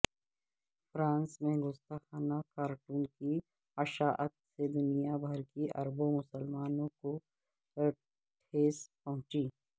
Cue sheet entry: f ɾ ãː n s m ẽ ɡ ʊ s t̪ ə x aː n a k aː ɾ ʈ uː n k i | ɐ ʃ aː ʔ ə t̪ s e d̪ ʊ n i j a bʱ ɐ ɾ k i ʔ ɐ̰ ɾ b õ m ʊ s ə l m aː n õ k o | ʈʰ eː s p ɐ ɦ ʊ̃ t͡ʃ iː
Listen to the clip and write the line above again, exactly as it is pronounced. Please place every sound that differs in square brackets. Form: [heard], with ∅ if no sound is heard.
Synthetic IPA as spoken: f ɾ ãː n s m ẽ ɡ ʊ s t̪ [a] x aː n a k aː ɾ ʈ uː n k i | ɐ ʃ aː ʔ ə t̪ s e d̪ ʊ n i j a bʱ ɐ ɾ k i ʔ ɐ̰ ɾ b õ m ʊ s ə l m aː n õ k o | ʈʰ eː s p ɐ ɦ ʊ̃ t͡ʃ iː